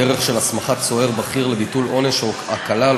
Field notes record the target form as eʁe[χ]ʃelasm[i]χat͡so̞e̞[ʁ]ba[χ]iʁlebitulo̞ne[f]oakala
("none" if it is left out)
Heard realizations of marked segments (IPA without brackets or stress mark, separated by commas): χ, a, ʁ, χ, ʃ